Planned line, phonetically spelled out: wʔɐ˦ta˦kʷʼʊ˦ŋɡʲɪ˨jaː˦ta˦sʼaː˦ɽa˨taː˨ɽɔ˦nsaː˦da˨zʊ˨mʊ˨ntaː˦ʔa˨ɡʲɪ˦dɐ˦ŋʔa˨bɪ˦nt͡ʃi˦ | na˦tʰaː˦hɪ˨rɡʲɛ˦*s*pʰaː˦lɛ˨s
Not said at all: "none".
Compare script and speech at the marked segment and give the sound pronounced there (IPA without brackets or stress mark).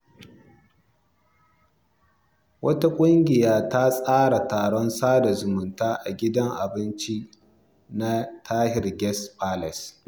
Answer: s